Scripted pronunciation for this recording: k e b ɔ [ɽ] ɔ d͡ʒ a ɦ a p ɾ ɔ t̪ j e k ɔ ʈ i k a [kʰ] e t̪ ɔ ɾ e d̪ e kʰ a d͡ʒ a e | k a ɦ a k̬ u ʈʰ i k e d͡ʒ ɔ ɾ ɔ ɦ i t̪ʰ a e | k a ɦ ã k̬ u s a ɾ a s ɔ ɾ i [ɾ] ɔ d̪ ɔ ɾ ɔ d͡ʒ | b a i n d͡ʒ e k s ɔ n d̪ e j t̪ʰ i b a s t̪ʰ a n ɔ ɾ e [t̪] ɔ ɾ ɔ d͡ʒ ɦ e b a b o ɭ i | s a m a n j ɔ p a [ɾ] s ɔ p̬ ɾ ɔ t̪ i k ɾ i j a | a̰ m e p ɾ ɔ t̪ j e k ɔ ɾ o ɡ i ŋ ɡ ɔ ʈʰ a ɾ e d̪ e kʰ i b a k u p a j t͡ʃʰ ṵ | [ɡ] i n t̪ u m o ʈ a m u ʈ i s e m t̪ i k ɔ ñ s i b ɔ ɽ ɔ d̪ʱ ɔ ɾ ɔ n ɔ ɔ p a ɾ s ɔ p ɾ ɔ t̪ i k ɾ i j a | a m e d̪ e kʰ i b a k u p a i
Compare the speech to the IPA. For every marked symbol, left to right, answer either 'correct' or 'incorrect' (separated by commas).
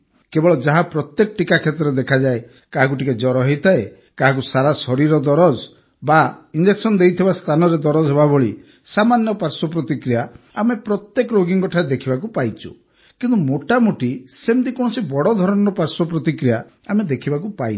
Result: incorrect, correct, correct, incorrect, correct, incorrect